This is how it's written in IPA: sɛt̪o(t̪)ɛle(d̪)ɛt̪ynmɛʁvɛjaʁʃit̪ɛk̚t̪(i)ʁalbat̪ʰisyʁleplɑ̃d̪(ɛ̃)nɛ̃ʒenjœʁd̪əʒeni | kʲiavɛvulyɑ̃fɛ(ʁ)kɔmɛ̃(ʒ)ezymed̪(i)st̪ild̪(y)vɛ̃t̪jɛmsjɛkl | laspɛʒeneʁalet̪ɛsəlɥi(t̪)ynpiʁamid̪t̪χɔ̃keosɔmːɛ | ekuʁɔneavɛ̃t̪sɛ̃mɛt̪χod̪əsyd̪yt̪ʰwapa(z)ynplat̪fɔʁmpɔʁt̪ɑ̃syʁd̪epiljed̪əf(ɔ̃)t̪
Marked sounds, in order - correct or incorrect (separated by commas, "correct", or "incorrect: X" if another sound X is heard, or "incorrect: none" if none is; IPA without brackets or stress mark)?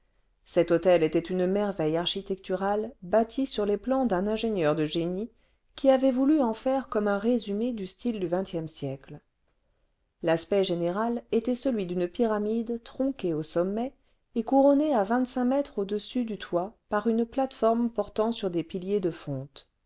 correct, incorrect: t̪, incorrect: y, correct, correct, incorrect: ʁ, incorrect: y, correct, incorrect: d̪, incorrect: ʁ, correct